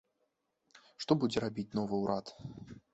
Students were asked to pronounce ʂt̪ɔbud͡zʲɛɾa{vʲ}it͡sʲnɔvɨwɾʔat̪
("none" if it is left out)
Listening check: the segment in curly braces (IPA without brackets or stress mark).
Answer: bʲ